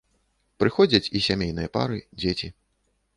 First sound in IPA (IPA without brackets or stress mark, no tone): p